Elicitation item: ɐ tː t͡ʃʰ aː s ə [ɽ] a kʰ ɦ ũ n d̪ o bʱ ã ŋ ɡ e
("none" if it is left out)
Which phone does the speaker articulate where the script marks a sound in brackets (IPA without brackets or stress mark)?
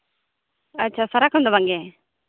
ɾ